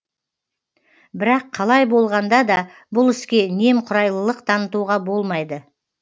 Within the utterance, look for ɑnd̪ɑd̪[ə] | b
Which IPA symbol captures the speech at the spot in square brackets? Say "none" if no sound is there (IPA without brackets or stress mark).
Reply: ɑ